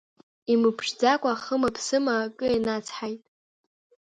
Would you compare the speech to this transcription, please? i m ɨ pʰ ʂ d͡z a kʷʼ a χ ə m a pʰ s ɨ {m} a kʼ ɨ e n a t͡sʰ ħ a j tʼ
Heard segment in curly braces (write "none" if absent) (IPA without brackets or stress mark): m